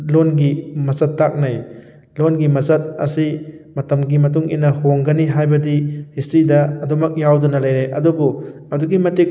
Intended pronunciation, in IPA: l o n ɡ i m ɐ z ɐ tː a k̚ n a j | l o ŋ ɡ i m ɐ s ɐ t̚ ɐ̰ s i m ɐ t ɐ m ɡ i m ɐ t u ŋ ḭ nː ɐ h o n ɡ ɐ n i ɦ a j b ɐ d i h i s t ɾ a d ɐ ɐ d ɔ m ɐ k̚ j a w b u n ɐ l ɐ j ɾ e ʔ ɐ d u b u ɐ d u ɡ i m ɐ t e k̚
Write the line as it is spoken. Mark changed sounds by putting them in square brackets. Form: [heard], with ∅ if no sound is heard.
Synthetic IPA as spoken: l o n ɡ i m ɐ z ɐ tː a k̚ n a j | l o [n] ɡ i m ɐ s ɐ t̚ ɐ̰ s i m ɐ t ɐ m ɡ i m ɐ t u ŋ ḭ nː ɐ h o [ŋ] ɡ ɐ n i ɦ a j b ɐ d i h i s t ɾ [i] d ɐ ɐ d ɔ m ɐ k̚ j a w [d] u n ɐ l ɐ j ɾ e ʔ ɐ d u b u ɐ d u ɡ i m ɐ t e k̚

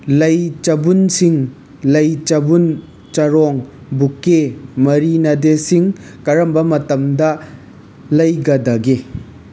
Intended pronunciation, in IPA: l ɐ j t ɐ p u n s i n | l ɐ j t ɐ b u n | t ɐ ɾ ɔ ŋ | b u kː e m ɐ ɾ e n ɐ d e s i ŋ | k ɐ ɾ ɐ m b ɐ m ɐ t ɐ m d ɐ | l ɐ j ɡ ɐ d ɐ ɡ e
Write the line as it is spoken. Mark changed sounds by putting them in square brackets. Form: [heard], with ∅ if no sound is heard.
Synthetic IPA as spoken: l ɐ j [t͡ʃ] ɐ [b] u n s i [ŋ] | l ɐ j [t͡ʃ] ɐ b u n | [t͡ʃ] ɐ ɾ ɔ ŋ | b u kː e m ɐ ɾ [i] n ɐ d e s i ŋ | k ɐ ɾ ɐ m b ɐ m ɐ t ɐ m d ɐ | l ɐ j ɡ ɐ d ɐ ɡ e

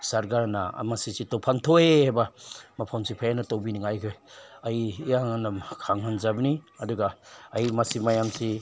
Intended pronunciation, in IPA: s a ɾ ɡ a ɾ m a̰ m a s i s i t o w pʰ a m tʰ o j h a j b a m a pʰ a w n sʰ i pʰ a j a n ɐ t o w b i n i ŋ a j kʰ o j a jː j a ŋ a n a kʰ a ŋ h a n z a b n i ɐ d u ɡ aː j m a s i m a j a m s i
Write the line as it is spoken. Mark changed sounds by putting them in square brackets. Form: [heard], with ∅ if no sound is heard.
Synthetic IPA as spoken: s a ɾ ɡ a ɾ [n] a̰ m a s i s i t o w pʰ a [ŋ] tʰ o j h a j b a m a pʰ a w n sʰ i pʰ a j a n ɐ t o w b i n i ŋ a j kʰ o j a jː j a ŋ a n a kʰ a ŋ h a n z a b n i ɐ d u ɡ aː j m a s i m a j a m s i

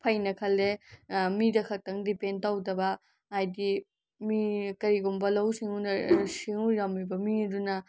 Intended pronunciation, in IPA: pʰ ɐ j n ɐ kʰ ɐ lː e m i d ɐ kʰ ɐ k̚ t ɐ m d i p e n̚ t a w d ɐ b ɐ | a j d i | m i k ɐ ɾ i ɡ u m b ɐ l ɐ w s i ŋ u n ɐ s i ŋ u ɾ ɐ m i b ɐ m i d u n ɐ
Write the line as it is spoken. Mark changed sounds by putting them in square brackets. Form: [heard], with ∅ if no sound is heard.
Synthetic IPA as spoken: pʰ ɐ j n ɐ kʰ ɐ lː e m i d ɐ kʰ ɐ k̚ t ɐ [ŋ] d i p e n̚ t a w d ɐ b ɐ | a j d i | m i k ɐ ɾ i ɡ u m b ɐ l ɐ w s i ŋ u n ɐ s i ŋ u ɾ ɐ m i b ɐ m i d u n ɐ

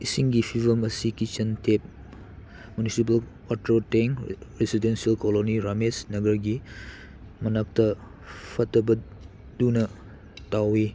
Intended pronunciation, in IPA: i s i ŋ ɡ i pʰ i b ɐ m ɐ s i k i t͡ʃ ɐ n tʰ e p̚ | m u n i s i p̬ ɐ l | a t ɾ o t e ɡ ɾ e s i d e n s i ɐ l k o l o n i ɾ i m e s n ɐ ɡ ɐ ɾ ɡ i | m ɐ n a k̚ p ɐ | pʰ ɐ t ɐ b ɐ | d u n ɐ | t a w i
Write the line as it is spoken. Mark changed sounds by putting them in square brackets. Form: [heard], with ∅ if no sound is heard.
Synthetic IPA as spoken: i s i ŋ ɡ i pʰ i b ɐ m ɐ s i k i t͡ʃ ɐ n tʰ e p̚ | m u n i s i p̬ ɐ l | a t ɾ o t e [ŋ] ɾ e s i d e n s i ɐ l k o l o n i ɾ [a] m e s n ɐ ɡ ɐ ɾ ɡ i | m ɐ n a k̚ [t] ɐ | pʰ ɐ t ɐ b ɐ | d u n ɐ | t a w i

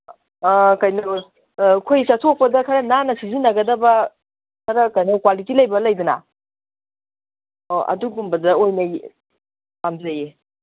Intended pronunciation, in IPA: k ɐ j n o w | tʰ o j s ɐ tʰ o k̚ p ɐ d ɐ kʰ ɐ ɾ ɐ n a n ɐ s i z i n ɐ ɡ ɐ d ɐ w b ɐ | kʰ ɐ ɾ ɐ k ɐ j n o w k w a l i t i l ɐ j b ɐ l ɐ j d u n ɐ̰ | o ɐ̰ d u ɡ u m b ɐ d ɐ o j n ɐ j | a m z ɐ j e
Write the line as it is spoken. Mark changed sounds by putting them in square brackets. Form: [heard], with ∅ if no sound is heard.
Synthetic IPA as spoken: k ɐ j n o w | [kʰ] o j s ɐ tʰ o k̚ p ɐ d ɐ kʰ ɐ ɾ ɐ n a n ɐ s i z i n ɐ ɡ ɐ d ɐ [∅] b ɐ | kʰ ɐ ɾ ɐ k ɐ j n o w k w a l i t i l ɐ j b ɐ l ɐ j d u n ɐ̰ | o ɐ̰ d u ɡ u m b ɐ d ɐ o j n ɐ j | a m z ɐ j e

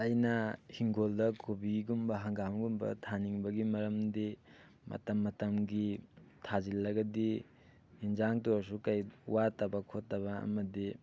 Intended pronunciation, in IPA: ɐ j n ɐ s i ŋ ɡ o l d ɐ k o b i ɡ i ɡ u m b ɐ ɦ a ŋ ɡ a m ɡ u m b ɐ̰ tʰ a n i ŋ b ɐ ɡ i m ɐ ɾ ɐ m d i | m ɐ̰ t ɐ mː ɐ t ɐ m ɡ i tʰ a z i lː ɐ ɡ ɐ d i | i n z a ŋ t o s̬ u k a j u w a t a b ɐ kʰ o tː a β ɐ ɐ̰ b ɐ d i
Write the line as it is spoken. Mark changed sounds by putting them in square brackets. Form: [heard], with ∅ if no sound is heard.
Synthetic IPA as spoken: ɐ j n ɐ [h] i ŋ ɡ o l d ɐ k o b i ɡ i ɡ u m b ɐ ɦ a ŋ ɡ a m ɡ u m b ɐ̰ tʰ a n i ŋ b ɐ ɡ i m ɐ ɾ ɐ m d i | m ɐ̰ t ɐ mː ɐ t ɐ m ɡ i tʰ a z i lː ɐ ɡ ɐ d i | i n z a ŋ t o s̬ u k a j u w a t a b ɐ kʰ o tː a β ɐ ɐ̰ [m] ɐ d i

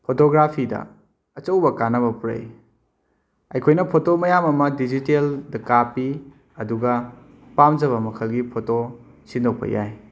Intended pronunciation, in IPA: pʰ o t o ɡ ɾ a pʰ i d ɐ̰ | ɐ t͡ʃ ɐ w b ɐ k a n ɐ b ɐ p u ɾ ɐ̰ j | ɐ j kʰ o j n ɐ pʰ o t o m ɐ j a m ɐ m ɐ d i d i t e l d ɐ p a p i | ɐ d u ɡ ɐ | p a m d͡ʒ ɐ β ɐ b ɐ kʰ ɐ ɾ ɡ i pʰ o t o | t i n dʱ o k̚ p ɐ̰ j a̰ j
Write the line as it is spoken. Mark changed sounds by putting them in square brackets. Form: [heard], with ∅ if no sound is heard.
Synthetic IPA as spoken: pʰ o t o ɡ ɾ a pʰ i d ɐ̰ | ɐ t͡ʃ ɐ w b ɐ k a n ɐ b ɐ p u ɾ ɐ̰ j | ɐ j kʰ o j n ɐ pʰ o t o m ɐ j a m ɐ m ɐ d i [d͡ʒ] i t e l d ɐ [k] a p i | ɐ d u ɡ ɐ | p a m d͡ʒ ɐ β ɐ [m] ɐ kʰ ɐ [l] ɡ i pʰ o t o | [s] i n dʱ o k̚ p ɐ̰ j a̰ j

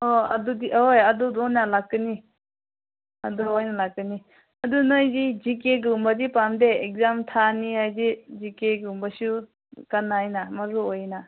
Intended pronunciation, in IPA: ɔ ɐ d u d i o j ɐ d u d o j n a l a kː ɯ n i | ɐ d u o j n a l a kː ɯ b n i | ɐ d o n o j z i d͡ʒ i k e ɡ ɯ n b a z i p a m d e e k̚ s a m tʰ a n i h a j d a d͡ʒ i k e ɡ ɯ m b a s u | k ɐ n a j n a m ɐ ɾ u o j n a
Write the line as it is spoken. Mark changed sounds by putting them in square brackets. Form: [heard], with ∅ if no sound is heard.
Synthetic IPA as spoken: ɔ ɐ d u d i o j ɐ d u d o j n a l a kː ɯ n i | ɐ d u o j n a l a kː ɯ [∅] n i | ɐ d [u] n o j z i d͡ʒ i k e ɡ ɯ [m] b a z i p a m d e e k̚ [z] a m tʰ a n i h a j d [i] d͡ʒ i k e ɡ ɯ m b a s u | k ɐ n a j n a m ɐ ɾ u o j n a

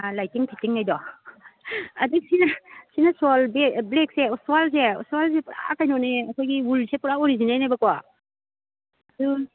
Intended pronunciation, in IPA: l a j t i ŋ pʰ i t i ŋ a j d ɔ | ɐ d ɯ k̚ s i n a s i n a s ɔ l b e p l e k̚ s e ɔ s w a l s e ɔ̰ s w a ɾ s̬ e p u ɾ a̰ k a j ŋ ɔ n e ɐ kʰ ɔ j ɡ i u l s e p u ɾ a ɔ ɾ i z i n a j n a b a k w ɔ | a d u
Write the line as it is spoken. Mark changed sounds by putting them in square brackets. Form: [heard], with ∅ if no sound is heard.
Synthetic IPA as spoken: l a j t i ŋ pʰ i t i ŋ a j d ɔ | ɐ d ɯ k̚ s i n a s i n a s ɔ l b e [b] l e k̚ s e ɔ s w a l s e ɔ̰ s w a [l] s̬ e p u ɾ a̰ k a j [n] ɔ n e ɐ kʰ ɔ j ɡ i u l s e p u ɾ a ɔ ɾ i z i n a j n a b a k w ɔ | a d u

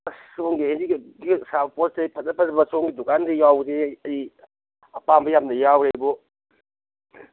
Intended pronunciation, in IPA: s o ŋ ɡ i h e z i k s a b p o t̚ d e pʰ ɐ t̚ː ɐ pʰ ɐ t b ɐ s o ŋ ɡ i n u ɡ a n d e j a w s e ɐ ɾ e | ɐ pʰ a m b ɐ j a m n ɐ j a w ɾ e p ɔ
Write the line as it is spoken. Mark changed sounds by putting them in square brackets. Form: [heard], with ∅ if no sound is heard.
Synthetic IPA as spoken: s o ŋ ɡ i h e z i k s a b p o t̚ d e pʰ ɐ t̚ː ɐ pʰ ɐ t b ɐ s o ŋ ɡ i [d] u [k] a n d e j a w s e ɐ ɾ [i] | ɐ [p] a m b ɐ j a m n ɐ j a w ɾ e [b] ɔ

